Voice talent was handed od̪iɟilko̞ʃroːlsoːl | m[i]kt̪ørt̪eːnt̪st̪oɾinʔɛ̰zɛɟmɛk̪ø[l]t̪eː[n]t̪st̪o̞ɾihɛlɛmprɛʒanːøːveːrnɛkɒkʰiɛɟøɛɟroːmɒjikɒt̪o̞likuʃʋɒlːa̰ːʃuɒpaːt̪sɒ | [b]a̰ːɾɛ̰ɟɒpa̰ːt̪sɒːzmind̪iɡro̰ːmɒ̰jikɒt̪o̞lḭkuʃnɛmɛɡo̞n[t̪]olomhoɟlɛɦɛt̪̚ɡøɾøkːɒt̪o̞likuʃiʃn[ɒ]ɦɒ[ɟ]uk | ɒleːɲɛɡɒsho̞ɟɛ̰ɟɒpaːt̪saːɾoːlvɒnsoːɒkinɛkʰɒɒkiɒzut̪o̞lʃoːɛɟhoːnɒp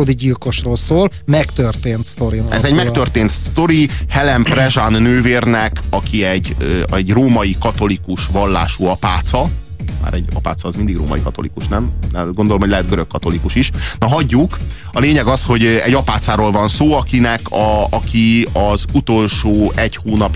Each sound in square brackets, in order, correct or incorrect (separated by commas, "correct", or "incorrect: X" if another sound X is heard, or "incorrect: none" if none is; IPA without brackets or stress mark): incorrect: ɛ, incorrect: r, correct, incorrect: m, incorrect: d̪, correct, incorrect: ɟː